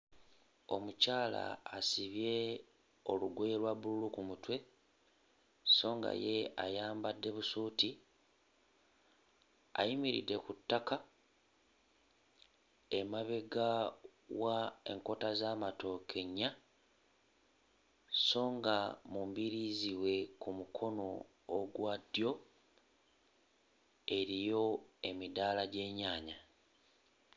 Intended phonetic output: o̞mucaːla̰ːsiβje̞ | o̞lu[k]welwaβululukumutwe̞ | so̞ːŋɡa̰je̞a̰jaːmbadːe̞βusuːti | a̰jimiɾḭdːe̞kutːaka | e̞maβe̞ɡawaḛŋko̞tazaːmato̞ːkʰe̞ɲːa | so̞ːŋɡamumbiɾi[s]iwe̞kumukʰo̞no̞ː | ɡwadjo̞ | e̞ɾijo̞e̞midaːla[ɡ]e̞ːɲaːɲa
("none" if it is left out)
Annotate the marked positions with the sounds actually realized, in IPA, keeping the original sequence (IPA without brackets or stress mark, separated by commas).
ɡ, z, ɟ